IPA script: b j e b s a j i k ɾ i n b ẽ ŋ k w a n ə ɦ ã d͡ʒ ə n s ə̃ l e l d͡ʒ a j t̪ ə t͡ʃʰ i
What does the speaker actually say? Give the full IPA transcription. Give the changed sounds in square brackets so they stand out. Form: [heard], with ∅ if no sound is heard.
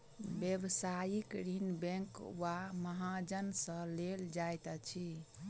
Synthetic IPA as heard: b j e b s a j i k ɾ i n b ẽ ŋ k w a [m] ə ɦ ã d͡ʒ ə n s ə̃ l e l d͡ʒ a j t̪ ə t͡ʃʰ i